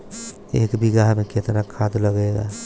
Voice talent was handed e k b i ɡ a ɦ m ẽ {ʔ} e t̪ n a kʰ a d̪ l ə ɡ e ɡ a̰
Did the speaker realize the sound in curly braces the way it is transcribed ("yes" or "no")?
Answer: no